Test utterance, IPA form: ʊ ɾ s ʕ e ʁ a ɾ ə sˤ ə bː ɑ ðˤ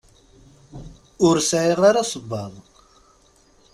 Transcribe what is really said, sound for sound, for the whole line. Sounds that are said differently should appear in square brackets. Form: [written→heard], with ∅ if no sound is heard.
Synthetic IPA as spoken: ʊ ɾ s ʕ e ʁ a ɾ [ə→a] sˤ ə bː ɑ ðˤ